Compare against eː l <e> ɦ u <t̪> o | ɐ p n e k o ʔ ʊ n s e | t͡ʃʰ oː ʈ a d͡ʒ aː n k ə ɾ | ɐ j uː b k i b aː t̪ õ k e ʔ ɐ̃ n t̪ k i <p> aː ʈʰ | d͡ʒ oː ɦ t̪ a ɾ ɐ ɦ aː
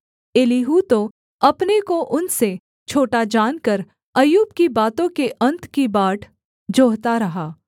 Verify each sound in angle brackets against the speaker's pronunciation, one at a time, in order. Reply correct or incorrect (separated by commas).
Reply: incorrect, correct, incorrect